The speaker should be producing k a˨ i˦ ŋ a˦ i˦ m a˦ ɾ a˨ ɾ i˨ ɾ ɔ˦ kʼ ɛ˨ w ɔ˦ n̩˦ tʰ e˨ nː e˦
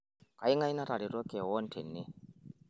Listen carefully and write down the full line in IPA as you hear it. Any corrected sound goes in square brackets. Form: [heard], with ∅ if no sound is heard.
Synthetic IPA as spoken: k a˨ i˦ ŋ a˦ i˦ [n] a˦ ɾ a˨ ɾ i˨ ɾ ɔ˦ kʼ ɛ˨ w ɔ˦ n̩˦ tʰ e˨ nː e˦